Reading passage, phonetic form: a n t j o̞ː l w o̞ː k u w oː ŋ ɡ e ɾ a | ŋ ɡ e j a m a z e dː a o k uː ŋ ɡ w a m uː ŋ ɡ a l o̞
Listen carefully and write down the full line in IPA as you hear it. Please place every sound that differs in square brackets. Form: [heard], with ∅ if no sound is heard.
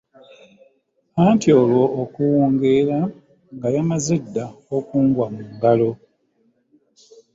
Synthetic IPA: a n t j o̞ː l w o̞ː k u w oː ŋ ɡ e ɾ a | ŋ ɡ [a] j a m a z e dː a o k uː ŋ ɡ w a m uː ŋ ɡ a l o̞